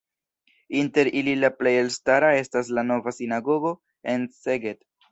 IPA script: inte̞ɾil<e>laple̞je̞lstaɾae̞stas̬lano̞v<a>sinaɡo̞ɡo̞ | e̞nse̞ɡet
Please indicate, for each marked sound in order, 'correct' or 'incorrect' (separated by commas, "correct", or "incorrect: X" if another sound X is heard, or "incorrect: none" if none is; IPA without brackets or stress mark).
incorrect: i, correct